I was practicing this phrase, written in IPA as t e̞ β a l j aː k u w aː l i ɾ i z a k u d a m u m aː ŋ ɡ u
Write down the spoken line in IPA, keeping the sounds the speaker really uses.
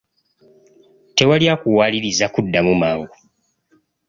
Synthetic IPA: t e̞ w a l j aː k u w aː l i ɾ i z a k u dː a m u m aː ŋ ɡ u